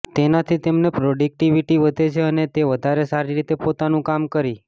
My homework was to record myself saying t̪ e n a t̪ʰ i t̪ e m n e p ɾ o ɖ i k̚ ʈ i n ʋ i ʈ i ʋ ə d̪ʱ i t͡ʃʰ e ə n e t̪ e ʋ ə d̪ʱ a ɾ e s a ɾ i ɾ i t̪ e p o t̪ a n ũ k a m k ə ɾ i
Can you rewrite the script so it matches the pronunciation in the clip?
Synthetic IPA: t̪ e n a t̪ʰ i t̪ e m n e p ɾ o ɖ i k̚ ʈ i ʋ i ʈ i ʋ ə d̪ʱ e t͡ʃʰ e ə n e t̪ e ʋ ə d̪ʱ a ɾ e s a ɾ i ɾ i t̪ e p o t̪ a n ũ k a m k ə ɾ i